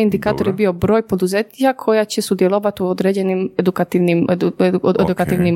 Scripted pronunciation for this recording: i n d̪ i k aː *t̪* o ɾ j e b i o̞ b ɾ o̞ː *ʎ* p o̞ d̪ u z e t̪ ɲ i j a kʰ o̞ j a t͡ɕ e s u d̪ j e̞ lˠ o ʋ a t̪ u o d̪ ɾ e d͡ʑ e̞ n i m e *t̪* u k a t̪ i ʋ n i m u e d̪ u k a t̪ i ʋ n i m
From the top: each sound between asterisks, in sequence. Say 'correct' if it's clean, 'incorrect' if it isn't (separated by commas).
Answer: correct, incorrect, incorrect